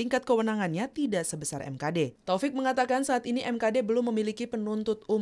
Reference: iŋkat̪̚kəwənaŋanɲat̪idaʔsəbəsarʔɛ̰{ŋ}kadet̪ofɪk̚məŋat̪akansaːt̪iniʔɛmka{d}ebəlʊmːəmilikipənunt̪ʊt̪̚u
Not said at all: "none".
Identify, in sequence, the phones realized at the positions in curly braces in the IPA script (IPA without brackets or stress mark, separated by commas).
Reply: m, d